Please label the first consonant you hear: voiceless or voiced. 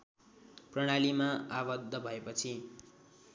voiceless